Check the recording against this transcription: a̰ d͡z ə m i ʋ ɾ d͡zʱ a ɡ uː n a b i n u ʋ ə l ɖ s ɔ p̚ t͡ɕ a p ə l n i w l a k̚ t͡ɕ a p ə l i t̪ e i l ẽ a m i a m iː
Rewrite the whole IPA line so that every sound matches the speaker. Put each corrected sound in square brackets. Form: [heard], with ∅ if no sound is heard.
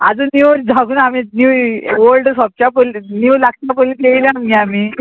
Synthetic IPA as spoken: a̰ d͡z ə [n] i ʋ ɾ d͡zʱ a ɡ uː n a [m] i n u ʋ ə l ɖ s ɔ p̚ t͡ɕ a p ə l n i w l a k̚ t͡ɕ a p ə l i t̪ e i l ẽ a m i a m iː